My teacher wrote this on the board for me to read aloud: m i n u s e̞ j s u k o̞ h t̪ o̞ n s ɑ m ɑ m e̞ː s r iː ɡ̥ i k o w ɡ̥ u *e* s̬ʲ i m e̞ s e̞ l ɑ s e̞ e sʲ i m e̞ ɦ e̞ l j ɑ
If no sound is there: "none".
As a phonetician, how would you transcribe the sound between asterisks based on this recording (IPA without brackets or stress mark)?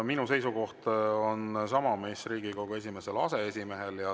e